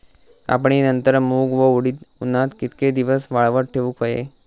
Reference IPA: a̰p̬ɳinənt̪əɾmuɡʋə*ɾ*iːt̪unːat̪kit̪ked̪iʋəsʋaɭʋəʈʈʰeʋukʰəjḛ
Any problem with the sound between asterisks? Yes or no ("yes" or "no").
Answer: yes